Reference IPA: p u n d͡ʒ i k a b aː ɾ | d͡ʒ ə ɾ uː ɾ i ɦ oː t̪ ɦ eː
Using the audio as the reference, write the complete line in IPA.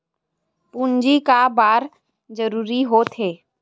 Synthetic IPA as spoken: p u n d͡ʒ i k a b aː ɾ | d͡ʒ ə ɾ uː ɾ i ɦ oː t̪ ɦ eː